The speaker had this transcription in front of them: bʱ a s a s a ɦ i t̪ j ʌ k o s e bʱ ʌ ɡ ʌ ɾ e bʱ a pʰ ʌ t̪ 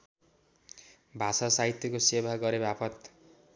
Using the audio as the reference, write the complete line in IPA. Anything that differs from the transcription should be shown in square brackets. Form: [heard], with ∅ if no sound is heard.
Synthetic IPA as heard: bʱ a s a s a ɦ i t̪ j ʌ k o s e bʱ [a] ɡ ʌ ɾ e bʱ a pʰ ʌ t̪